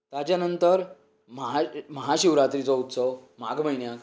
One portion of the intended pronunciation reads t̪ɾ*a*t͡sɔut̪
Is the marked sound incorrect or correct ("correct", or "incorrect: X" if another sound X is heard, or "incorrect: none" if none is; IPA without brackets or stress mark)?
incorrect: i